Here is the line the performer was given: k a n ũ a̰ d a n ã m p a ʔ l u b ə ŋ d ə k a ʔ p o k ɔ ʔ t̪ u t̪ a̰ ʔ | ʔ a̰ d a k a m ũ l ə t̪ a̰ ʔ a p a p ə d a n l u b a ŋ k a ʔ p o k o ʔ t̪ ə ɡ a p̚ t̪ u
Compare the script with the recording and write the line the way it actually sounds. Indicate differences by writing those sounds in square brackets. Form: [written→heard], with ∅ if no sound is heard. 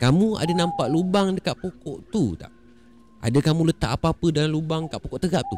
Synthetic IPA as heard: k a [n→m] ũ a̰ d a n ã m p a ʔ l u b [ə→a] ŋ d ə k a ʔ p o k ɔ ʔ t̪ u t̪ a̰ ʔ | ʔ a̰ d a k a m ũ l ə t̪ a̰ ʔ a p a p ə d a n l u b a ŋ k a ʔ p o k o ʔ t̪ ə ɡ a p̚ t̪ u